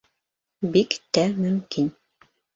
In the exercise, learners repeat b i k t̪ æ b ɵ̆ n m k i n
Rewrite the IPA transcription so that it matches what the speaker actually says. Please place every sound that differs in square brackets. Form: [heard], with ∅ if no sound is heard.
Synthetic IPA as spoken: b i k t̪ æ [m] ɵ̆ [∅] m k i n

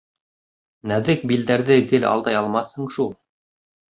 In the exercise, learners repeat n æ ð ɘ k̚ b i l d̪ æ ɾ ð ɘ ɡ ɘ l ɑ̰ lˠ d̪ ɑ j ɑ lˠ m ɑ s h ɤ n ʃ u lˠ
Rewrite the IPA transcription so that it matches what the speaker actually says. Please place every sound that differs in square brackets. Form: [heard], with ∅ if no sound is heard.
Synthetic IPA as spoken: n æ ð ɘ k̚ b i l d̪ æ ɾ ð ɘ ɡ ɘ l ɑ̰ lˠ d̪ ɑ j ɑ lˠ m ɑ [θ] h ɤ [ɴ] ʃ u lˠ

